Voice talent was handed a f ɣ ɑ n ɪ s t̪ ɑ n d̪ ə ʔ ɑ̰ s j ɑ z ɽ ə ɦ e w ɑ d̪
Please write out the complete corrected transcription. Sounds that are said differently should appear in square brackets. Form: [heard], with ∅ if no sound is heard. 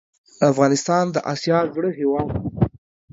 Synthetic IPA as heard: a f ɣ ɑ n ɪ s t̪ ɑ n d̪ ə ʔ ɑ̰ s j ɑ z ɽ ə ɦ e w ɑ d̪